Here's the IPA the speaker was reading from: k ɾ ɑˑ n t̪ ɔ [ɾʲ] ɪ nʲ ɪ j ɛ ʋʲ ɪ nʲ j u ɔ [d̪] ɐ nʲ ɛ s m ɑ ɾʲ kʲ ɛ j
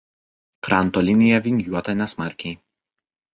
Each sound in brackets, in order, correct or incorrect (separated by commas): incorrect, incorrect